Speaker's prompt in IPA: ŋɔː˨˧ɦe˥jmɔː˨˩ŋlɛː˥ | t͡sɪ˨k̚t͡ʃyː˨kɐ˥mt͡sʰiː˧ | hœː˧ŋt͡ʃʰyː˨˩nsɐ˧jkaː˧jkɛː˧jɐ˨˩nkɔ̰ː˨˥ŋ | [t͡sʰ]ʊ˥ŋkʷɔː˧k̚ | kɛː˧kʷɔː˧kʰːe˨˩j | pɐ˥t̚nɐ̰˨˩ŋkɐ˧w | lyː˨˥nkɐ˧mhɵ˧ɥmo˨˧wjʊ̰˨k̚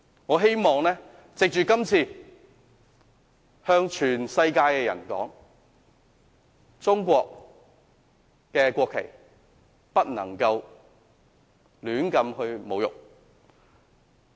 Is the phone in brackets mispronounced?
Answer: yes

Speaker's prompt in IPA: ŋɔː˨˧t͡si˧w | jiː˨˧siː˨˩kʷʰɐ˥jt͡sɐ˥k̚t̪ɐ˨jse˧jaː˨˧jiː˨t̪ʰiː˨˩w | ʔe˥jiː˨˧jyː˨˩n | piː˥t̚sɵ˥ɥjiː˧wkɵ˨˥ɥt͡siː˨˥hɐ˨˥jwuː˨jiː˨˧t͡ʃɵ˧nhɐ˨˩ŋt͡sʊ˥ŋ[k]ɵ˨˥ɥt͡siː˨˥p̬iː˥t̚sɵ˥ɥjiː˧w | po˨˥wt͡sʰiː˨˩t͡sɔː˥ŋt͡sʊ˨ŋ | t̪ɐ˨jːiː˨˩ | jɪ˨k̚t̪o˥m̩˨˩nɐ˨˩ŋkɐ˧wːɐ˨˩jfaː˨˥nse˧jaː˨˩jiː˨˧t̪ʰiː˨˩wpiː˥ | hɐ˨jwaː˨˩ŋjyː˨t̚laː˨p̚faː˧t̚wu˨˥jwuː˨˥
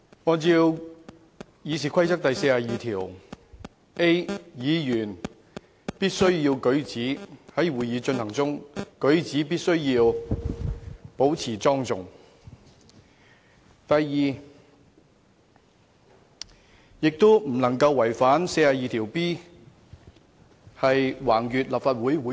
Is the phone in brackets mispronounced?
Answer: no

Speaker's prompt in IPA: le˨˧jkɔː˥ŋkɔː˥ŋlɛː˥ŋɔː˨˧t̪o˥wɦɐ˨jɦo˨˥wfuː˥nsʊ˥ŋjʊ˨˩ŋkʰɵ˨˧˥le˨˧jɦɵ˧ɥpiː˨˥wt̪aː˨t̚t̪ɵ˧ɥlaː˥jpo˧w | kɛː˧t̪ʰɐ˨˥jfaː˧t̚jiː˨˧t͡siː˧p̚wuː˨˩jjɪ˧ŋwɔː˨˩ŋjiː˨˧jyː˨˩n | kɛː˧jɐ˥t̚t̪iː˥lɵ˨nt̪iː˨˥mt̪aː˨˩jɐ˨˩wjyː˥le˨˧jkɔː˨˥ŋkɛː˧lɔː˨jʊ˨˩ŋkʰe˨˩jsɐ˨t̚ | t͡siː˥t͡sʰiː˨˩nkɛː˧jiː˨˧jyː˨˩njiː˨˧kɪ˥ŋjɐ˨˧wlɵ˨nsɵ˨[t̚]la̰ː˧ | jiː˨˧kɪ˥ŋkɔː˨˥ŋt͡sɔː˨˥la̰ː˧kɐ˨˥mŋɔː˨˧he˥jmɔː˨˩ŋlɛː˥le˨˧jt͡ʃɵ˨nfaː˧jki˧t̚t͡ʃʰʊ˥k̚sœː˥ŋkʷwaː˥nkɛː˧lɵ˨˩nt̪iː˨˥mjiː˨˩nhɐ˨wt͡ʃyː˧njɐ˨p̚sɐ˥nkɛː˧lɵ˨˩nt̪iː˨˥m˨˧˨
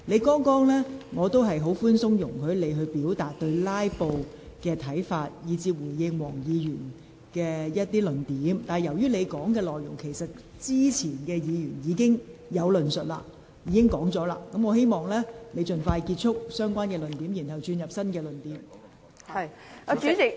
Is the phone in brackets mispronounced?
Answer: no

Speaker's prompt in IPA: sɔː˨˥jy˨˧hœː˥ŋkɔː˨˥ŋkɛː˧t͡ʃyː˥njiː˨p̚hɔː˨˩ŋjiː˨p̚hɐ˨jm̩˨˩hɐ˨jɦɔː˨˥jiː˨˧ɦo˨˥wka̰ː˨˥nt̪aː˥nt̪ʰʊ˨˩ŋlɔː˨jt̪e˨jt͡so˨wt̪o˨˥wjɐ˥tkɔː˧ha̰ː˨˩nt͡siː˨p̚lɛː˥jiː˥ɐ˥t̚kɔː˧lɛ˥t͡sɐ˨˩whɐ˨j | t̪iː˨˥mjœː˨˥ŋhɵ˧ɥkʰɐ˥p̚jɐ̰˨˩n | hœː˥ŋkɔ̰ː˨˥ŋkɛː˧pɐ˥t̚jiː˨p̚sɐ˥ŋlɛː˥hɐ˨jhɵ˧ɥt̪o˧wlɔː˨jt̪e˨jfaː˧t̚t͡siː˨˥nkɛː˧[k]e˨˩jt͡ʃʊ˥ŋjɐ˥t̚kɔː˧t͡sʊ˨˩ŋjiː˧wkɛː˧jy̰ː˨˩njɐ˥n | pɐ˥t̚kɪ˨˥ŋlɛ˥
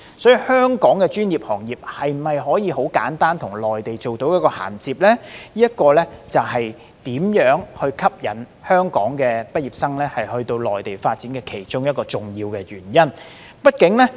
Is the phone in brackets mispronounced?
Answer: yes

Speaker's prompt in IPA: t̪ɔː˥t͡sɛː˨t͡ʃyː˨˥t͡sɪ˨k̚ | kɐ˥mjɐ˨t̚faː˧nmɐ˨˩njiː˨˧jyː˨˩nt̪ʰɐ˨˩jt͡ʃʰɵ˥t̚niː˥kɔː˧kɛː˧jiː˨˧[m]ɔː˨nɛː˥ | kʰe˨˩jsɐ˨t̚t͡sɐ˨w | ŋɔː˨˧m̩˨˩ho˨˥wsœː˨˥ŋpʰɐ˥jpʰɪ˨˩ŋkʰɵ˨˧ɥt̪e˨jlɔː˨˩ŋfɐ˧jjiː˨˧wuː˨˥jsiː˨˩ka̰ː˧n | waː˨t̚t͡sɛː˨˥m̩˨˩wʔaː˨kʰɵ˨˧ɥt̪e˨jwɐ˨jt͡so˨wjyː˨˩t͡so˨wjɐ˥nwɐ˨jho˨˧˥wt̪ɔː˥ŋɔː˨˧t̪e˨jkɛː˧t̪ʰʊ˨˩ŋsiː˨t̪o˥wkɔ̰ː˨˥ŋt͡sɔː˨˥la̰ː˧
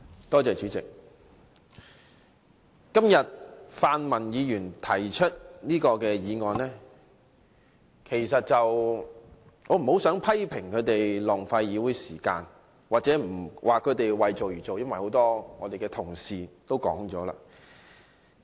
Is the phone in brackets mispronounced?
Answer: yes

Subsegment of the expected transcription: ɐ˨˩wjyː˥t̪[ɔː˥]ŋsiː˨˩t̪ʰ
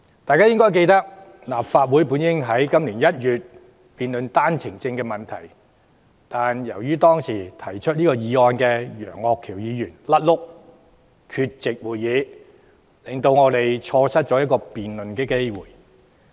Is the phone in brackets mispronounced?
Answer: no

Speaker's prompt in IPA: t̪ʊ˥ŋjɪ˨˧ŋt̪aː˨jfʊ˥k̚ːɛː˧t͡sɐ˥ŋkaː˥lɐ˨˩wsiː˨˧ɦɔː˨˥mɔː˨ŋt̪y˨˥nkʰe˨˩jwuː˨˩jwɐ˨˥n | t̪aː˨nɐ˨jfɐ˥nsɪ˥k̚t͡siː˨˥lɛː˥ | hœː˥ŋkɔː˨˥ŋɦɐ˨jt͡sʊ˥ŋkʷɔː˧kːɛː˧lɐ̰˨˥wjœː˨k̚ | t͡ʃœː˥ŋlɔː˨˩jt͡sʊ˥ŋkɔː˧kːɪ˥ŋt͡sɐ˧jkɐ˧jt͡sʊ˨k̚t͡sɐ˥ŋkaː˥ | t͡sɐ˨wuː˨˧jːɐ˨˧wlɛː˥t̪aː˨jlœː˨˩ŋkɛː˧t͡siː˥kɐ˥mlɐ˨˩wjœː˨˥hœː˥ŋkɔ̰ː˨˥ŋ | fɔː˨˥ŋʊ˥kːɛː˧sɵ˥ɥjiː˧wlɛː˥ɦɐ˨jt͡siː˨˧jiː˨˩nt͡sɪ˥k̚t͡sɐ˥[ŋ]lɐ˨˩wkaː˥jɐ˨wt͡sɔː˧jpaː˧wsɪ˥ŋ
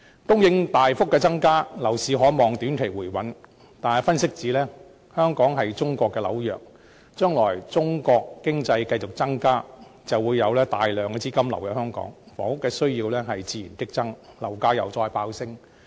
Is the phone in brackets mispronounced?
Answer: no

